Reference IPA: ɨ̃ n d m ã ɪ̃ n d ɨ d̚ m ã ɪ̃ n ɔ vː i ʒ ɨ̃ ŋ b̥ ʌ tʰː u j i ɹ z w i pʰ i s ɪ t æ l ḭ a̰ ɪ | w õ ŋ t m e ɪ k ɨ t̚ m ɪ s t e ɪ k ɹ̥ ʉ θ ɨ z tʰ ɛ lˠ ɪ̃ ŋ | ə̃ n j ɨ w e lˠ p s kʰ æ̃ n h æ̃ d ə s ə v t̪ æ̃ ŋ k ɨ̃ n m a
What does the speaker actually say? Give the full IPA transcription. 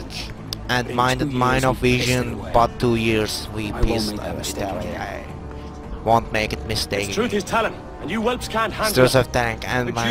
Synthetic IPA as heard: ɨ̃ n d m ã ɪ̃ n d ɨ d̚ m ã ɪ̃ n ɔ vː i ʒ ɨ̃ n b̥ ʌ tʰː u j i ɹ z w i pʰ i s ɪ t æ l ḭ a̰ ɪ | w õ n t m e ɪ k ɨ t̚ m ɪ s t e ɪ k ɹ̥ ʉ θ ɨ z tʰ ɛ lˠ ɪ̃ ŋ | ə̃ n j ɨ w ɛ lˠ p s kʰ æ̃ n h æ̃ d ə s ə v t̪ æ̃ ŋ k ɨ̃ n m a